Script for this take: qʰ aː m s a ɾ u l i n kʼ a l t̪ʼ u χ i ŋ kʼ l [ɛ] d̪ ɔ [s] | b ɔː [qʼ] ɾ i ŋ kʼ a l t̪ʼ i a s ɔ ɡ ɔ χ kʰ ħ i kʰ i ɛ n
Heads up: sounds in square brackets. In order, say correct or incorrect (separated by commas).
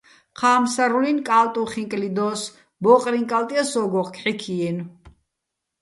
incorrect, correct, correct